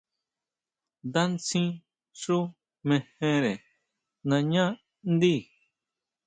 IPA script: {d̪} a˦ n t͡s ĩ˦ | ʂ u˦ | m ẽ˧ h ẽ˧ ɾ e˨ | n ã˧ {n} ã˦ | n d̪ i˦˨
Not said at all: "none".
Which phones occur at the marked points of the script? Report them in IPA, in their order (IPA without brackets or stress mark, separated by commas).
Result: d̪, ɲ